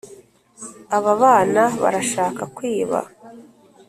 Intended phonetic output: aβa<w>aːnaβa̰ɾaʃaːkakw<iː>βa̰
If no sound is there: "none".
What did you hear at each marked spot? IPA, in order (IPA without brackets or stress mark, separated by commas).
β, iː